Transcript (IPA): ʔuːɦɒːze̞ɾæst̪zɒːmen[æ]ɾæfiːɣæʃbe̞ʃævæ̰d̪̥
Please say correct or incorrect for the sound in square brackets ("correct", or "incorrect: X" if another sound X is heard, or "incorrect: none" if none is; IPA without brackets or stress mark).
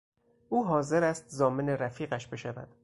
incorrect: e